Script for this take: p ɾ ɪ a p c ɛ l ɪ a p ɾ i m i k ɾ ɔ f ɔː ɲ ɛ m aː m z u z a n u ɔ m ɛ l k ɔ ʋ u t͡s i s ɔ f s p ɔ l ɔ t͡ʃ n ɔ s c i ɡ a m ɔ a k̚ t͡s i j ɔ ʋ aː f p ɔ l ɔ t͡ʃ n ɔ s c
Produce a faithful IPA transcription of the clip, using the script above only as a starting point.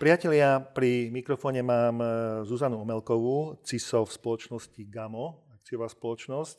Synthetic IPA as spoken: p ɾ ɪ a c ɛ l ɪ a p ɾ i m i k ɾ ɔ f ɔː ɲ ɛ m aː m z u z a n u ɔ m ɛ l k ɔ ʋ u t͡s i s ɔ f s p ɔ l ɔ t͡ʃ n ɔ s c i ɡ a m ɔ a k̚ t͡s i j ɔ ʋ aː s p ɔ l ɔ t͡ʃ n ɔ s c